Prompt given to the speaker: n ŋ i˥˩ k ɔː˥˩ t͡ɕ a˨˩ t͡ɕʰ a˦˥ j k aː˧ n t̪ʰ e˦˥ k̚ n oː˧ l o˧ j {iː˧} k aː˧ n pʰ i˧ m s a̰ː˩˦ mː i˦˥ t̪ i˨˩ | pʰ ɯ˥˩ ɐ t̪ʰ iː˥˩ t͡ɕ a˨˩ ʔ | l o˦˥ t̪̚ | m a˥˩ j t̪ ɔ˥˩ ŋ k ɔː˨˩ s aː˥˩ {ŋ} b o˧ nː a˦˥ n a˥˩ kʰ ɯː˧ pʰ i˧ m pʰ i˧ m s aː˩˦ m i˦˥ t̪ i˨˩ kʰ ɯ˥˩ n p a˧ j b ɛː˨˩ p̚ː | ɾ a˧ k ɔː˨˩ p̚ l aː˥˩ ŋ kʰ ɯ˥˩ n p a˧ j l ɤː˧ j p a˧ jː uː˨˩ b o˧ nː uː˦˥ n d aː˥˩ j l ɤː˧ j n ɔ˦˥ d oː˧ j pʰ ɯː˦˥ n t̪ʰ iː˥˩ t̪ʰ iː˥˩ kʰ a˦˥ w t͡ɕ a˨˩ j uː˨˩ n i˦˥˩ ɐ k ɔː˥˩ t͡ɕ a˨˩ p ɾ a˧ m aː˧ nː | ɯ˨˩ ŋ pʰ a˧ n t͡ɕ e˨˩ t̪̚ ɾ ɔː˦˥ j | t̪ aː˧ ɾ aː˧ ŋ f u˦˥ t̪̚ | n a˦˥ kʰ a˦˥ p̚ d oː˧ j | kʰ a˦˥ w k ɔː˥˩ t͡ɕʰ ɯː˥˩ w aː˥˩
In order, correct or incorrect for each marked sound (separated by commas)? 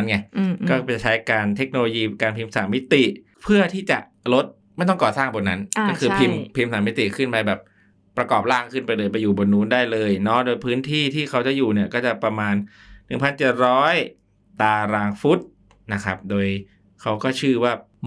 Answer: correct, correct